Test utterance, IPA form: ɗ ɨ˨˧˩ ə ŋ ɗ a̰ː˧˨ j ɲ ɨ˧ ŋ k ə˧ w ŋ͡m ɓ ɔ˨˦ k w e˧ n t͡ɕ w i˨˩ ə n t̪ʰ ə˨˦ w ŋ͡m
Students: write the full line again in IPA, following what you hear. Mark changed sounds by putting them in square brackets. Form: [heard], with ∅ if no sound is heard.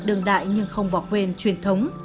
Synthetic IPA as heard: ɗ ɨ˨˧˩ ə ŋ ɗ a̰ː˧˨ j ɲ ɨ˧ ŋ [x] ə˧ w ŋ͡m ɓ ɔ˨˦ k w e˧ n t͡ɕ w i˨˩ ə n t̪ʰ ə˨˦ w ŋ͡m